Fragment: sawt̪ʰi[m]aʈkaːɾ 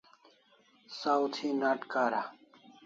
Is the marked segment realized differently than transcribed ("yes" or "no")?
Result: yes